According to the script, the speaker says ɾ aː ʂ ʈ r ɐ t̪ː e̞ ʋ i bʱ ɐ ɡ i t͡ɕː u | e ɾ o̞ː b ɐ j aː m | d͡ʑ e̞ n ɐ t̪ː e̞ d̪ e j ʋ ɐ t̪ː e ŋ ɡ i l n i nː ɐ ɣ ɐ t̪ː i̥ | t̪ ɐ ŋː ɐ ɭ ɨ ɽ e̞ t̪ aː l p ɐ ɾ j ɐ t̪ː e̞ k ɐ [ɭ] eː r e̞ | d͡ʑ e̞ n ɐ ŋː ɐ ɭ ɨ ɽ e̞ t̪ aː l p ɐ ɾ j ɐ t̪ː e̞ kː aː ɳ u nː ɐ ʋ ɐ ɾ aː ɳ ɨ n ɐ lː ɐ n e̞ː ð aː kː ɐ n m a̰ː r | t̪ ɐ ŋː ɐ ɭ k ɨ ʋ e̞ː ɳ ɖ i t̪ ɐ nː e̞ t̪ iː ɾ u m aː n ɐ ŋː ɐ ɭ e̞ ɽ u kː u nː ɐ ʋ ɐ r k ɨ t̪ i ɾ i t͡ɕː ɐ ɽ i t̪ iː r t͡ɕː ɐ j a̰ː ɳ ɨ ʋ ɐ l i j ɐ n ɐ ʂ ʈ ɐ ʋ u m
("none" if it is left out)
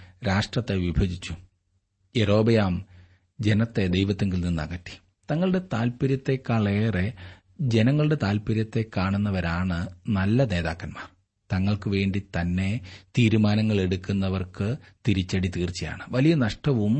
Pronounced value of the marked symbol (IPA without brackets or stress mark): ɭ